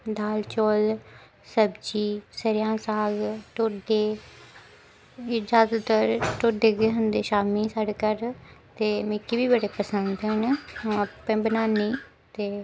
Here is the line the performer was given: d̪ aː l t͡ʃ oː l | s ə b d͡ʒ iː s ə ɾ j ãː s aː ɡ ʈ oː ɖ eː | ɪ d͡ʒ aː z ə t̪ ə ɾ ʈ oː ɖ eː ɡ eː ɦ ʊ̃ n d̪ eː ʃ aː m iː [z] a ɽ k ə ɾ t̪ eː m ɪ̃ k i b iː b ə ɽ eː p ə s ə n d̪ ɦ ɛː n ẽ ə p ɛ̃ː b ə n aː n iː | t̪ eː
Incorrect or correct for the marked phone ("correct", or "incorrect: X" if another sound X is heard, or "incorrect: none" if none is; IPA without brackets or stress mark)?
incorrect: s